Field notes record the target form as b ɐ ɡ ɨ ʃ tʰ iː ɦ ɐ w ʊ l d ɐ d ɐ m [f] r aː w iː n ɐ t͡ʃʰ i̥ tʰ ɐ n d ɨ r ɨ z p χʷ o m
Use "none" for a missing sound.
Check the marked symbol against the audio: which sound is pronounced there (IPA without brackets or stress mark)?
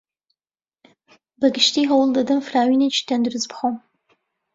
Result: f